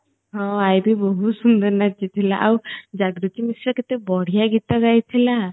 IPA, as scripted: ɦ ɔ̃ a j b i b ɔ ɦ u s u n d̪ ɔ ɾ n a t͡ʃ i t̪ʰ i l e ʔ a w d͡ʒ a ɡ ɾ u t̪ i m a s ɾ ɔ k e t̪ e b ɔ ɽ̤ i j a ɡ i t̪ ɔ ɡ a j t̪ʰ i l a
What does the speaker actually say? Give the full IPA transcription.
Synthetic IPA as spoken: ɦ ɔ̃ a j b i b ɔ ɦ u s u n d̪ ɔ ɾ n a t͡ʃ i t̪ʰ i l a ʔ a w d͡ʒ a ɡ ɾ u t̪ i m i s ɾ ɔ k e t̪ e b ɔ ɽ̤ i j a ɡ i t̪ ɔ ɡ a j t̪ʰ i l a